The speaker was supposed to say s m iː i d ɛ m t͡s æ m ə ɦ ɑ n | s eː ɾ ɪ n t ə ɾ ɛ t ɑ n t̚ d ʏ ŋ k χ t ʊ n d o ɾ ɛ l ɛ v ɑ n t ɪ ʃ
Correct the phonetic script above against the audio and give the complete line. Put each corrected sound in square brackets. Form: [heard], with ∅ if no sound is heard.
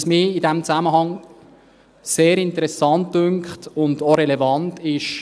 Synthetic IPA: s m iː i d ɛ m t͡s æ m ə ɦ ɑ [ŋ] | s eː ɾ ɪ n t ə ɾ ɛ [s] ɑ n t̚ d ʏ ŋ k χ t ʊ n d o ɾ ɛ l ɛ v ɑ n t ɪ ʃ